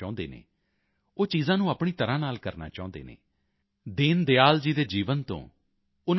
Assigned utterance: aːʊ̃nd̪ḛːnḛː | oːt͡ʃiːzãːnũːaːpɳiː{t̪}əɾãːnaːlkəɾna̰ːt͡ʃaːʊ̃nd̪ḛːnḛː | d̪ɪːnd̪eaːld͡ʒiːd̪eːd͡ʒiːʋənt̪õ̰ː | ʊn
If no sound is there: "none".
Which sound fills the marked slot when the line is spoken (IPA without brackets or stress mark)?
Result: t̪